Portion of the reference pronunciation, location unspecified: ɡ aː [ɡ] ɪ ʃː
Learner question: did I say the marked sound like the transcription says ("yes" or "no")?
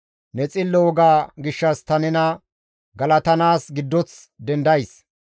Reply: yes